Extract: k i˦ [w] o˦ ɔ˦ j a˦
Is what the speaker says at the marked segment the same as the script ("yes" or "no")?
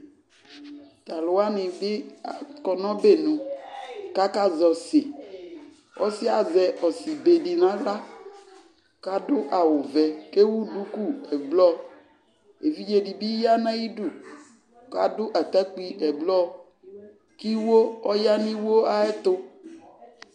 yes